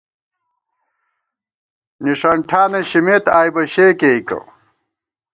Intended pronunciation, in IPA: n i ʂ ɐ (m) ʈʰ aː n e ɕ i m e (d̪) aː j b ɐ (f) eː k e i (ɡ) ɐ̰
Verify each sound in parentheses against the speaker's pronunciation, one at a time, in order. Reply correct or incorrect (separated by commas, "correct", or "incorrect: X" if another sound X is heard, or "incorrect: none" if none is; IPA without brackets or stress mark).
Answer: incorrect: ɳ, incorrect: t̪, incorrect: ɕ, incorrect: k